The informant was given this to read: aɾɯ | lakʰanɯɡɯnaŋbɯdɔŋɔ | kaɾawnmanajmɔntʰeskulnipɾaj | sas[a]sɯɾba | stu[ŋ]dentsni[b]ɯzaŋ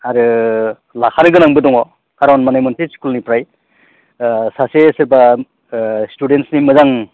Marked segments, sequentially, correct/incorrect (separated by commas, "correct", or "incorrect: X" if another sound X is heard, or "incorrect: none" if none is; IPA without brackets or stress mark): incorrect: e, incorrect: none, incorrect: m